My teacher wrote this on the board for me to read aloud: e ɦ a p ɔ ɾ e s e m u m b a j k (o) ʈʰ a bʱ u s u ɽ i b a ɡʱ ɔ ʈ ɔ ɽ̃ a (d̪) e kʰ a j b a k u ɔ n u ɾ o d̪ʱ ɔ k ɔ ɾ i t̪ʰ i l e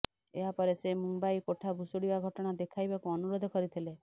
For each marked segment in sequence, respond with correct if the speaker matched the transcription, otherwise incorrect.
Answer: correct, correct

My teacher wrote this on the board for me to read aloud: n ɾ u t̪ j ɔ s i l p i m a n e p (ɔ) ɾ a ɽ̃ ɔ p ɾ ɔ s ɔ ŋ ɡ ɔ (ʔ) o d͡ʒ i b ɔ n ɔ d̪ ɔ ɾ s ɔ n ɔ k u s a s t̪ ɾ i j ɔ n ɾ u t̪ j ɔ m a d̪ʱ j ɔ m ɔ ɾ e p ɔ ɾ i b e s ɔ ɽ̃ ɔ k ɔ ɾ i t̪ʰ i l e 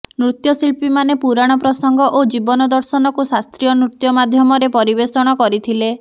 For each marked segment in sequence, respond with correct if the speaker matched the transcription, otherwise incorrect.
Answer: incorrect: u, correct

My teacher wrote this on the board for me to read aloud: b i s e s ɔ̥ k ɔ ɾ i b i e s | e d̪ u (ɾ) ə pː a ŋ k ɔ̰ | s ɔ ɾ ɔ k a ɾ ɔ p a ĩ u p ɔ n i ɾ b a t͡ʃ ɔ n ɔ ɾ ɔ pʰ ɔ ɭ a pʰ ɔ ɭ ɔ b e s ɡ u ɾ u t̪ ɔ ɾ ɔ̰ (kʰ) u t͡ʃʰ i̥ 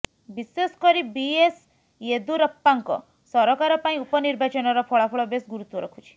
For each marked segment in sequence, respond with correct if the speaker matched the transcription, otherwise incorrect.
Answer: correct, correct

